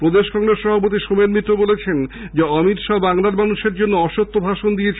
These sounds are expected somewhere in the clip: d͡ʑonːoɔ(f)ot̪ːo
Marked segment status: incorrect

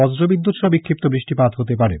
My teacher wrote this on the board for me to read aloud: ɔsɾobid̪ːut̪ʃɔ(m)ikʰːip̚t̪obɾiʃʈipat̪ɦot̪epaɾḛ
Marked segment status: incorrect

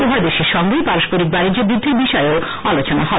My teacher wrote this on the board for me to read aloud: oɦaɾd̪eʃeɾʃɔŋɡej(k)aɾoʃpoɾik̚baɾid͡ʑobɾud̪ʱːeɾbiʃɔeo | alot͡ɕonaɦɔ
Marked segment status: incorrect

